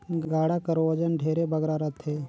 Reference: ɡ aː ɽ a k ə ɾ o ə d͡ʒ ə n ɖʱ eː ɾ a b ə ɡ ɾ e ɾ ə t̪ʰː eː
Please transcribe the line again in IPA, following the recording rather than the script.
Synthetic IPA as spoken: ɡ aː ɽ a k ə ɾ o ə d͡ʒ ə n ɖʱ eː ɾ e b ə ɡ ɾ a ɾ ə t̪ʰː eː